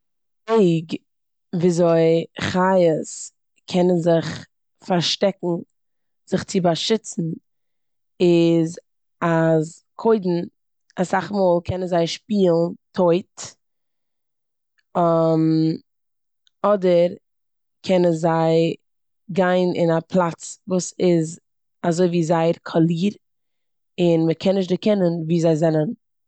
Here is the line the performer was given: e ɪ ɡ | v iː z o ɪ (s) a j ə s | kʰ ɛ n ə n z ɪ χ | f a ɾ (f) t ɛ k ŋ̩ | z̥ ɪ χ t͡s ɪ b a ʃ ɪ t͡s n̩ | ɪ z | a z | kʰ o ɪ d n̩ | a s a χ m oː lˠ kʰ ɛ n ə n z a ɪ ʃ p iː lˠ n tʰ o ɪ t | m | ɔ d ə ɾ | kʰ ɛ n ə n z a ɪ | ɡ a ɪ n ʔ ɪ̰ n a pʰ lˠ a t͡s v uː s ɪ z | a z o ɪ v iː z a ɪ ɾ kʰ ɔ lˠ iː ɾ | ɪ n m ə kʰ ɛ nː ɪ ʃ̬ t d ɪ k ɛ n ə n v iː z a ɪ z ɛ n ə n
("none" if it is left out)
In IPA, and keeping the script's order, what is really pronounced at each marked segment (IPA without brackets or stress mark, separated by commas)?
χ, ʃ